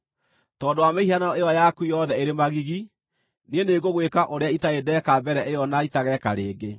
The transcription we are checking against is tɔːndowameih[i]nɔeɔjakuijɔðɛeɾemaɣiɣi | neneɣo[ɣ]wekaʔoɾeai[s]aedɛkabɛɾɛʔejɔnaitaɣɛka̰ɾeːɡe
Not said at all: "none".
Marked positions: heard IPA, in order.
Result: a, ɣ, t

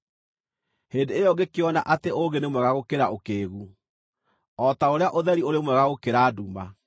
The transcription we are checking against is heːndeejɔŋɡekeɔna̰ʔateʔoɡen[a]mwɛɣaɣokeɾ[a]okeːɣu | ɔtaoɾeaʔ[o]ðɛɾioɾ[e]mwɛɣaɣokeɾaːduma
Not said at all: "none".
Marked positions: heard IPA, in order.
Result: e, a, o, e

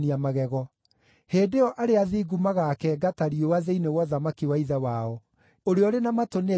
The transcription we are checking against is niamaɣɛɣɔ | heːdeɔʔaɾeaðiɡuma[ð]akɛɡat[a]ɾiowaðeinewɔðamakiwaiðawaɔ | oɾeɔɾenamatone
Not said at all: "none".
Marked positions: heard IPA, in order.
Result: ɣ, a

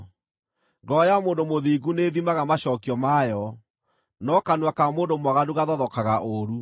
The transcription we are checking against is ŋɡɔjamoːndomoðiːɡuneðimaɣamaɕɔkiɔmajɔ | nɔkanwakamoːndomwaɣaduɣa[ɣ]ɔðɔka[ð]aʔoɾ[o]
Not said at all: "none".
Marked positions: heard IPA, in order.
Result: ð, ɣ, u

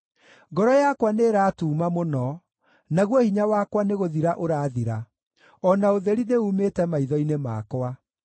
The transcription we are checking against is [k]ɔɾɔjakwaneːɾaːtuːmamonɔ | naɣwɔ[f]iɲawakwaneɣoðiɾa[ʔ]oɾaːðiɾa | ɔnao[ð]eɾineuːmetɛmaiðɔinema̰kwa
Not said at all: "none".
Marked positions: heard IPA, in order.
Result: ɡ, h, ʔ, ð

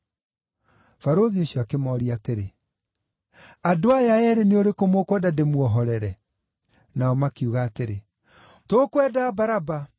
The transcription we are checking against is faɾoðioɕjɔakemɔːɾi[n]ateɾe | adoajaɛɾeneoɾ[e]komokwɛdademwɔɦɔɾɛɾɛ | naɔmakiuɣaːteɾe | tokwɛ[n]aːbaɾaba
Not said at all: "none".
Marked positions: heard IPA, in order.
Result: none, e, d

